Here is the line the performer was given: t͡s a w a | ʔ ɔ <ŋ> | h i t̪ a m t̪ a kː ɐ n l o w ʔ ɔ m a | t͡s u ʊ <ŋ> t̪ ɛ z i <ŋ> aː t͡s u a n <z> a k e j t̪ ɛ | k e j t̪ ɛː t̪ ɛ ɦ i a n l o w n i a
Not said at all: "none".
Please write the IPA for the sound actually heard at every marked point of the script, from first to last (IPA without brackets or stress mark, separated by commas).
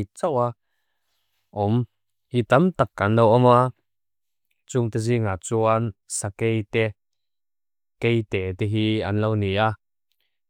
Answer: m, ŋ, ŋ, s